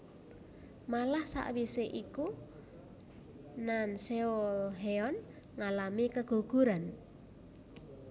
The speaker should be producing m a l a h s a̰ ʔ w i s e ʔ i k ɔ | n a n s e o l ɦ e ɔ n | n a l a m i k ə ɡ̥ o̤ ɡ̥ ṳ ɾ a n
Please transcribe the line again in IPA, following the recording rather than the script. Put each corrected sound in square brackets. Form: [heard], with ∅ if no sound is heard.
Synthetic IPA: m a l a h s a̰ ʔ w i s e ʔ i k [u] | n a n s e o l ɦ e ɔ n | [ŋ] a l a m i k ə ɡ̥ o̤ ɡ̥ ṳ ɾ a n

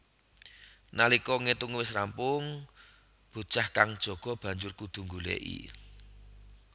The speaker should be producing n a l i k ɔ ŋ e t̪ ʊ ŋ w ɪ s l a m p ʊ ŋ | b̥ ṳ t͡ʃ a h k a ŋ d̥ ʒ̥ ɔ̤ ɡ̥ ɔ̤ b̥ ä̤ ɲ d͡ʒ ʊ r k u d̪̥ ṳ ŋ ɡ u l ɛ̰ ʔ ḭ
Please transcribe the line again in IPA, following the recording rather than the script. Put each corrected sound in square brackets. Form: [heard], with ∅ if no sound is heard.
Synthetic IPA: n a l i k ɔ ŋ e t̪ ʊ ŋ w ɪ s [r] a m p ʊ ŋ | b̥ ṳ t͡ʃ a h k a ŋ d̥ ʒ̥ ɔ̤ ɡ̥ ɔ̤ b̥ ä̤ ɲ d͡ʒ ʊ r k u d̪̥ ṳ ŋ ɡ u l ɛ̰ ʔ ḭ

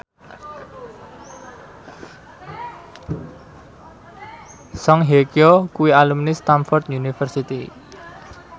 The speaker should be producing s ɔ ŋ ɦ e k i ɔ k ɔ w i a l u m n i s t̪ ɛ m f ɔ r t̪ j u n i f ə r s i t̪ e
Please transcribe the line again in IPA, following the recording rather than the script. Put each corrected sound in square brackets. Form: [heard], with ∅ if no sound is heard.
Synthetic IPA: s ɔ ŋ ɦ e k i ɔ k [u] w i a l u m n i s t̪ [a] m f ɔ r t̪ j u n i f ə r s i t̪ [i]

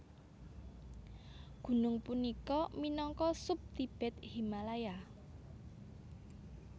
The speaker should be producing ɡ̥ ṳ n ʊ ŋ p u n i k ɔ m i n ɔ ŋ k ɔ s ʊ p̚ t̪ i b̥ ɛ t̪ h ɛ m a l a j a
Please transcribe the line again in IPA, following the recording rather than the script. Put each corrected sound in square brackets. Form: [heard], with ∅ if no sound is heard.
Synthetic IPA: ɡ̥ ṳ n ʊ ŋ p u n i k ɔ m i n ɔ ŋ k ɔ s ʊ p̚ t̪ i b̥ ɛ t̪ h [i] m a l a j a

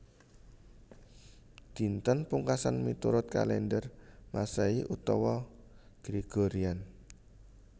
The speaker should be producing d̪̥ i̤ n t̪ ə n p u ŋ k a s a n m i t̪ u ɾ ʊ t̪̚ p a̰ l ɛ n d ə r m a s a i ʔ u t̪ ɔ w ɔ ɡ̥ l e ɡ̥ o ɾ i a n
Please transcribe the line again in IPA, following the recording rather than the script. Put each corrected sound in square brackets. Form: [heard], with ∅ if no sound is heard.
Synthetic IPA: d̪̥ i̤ n t̪ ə n p u ŋ k a s a n m i t̪ u ɾ ʊ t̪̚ [k] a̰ l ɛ n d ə r m a s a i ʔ u t̪ ɔ w ɔ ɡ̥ [ɾ] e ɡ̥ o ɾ i a n

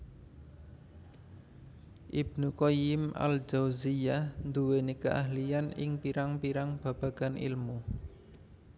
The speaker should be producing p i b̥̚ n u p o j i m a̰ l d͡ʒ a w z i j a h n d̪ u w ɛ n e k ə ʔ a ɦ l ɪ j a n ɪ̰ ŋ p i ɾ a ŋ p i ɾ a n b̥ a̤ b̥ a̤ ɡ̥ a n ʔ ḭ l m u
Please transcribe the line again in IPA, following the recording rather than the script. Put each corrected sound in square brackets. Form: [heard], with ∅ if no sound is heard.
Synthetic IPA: [ʔ] i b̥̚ n u [k] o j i m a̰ l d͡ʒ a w z i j a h n d̪ u w [e] n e k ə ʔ a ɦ l [i] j a n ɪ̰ ŋ p i ɾ a ŋ p i ɾ a [ŋ] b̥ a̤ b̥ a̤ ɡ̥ a n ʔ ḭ l m u

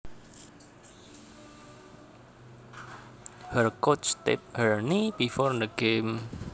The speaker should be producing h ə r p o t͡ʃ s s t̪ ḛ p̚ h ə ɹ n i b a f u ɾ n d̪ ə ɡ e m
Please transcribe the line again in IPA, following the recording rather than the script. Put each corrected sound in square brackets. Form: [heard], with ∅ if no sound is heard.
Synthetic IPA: h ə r [k] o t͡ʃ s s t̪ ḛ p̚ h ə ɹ n i b [i] f [ɔ] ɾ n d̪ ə ɡ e m

